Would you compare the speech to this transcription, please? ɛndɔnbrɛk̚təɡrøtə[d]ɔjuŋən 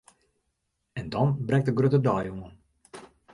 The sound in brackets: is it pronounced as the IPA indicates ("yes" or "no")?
yes